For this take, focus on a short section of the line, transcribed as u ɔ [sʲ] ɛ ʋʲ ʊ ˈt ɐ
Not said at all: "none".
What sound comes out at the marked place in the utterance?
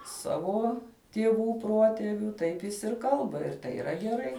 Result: tʲ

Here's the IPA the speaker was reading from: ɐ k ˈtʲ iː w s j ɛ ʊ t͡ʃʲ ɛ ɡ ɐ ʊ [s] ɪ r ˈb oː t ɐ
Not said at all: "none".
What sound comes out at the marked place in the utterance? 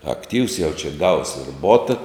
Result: s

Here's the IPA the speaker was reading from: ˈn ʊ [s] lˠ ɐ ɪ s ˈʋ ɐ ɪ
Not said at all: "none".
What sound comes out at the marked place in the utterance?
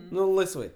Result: none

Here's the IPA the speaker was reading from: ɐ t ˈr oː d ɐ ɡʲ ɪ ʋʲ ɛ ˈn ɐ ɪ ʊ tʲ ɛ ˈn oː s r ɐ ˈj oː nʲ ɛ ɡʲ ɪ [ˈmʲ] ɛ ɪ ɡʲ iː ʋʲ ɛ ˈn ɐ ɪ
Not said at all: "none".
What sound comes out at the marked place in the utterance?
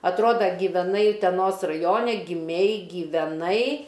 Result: mʲ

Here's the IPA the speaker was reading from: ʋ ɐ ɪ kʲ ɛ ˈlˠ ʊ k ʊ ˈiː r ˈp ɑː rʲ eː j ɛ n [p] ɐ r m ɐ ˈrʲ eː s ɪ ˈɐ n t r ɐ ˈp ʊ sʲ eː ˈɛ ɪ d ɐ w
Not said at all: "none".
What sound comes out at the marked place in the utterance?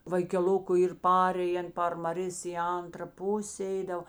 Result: p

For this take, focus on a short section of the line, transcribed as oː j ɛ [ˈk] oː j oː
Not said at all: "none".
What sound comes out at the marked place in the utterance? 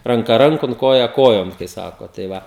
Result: k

